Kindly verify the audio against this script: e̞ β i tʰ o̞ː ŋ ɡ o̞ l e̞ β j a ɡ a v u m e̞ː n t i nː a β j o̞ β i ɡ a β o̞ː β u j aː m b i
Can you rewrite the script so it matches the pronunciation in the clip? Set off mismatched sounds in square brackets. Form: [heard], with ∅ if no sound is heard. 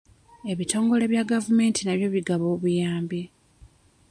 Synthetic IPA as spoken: e̞ β i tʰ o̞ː ŋ ɡ o̞ l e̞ β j a ɡ a v u m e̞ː n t i [n] a β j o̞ β i ɡ a β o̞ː β u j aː m b i

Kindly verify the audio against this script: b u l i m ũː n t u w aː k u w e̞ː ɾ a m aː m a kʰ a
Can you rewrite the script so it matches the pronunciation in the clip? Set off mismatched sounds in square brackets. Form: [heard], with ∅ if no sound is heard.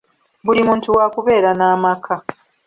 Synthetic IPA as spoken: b u l i m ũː n t u w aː k u [β] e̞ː ɾ a [n] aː m a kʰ a

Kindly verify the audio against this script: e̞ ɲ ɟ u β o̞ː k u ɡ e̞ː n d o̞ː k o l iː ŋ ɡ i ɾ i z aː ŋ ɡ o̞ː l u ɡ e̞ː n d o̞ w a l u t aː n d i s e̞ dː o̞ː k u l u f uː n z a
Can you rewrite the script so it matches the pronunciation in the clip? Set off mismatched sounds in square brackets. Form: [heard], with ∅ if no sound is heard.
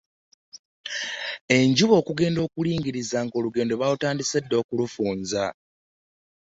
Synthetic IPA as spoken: e̞ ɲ ɟ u β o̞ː k u ɡ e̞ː n d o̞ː k [u] l iː ŋ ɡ i ɾ i z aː ŋ ɡ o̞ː l u ɡ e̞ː n d o̞ [β] a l u t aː n d i s e̞ dː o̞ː k u l u f uː n z a

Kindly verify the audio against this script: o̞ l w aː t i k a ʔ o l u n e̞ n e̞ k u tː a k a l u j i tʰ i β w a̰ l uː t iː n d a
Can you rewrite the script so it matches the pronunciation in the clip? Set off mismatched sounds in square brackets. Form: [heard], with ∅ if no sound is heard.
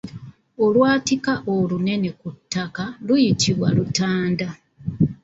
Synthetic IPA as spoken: o̞ l w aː t i k a ʔ o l u n e̞ n e̞ k u tː a k a l u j i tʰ i β w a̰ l [u] t [aː] n d a

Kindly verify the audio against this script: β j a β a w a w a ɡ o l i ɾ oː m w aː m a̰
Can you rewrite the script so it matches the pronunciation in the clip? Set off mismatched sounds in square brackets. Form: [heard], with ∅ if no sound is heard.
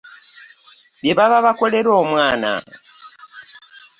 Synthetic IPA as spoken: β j [e] β a [β] a [β] a [k] o l [e] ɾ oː m w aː [n] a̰

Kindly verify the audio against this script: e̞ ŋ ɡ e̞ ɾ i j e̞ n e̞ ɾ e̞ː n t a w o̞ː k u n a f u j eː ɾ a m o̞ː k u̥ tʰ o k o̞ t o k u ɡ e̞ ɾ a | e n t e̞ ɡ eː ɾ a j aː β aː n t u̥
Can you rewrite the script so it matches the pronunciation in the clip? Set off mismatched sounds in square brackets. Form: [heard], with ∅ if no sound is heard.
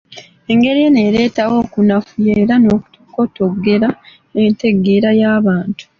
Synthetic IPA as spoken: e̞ ŋ ɡ e̞ ɾ i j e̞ n e̞ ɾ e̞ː [∅] t a w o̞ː k u n a f u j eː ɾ a [n] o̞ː k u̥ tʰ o k o̞ t o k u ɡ e̞ ɾ a | e n t e̞ ɡ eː ɾ a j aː β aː n t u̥

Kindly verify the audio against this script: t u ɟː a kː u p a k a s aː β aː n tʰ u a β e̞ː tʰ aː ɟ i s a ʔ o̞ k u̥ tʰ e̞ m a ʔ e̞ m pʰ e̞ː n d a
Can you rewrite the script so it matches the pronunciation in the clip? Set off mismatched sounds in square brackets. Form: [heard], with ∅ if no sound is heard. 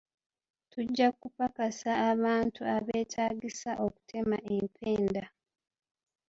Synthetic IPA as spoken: t u ɟː a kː u p a k a s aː β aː n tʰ u a β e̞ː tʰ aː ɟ i s a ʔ o̞ k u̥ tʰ e̞ m a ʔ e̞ m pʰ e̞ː n d a

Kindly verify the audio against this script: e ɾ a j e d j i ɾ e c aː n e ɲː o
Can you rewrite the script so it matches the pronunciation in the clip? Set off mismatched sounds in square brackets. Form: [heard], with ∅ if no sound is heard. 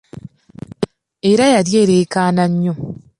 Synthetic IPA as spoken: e ɾ a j [a] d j [e] ɾ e [k] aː n [a] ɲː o

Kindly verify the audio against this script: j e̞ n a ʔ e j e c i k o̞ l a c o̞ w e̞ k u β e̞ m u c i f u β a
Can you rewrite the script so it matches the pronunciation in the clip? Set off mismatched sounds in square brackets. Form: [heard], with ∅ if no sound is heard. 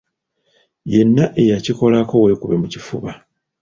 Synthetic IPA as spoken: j e̞ [nː] a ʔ e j [a] c i k o̞ l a [k] o̞ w e̞ k u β e̞ m u c i f u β a

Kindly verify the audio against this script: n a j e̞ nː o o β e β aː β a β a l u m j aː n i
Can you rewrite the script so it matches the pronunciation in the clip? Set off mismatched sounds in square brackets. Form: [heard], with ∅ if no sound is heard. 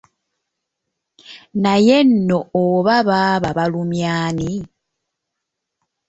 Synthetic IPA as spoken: n a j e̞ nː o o β [a] β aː β a β a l u m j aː n i

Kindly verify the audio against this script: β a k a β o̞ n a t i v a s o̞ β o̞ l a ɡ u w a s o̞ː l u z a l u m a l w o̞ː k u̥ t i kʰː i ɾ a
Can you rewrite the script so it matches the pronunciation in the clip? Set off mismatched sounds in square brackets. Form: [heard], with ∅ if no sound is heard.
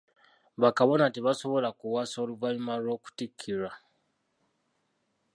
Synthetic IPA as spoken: β a k a β o̞ n a t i [β] a s o̞ β o̞ l a [k] u w a s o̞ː l u [v] a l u m a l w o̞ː k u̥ t i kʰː i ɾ a

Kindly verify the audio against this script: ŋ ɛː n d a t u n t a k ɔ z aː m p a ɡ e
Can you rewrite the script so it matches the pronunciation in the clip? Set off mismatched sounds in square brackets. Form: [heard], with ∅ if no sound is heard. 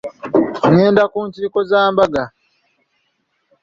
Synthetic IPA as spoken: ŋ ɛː n d a [k] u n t [i] k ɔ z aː m [b] a ɡ [a]

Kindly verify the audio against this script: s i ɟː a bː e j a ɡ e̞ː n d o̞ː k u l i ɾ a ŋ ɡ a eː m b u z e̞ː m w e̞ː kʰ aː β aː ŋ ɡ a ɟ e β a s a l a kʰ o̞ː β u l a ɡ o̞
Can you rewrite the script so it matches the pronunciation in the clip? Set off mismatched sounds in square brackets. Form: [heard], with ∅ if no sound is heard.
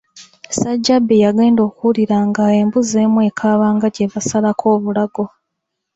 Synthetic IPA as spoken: s [a] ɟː a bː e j a ɡ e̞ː n d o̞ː k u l i ɾ a ŋ ɡ a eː m b u z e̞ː m w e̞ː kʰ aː β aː ŋ ɡ a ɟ e β a s a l a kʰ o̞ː β u l a ɡ o̞

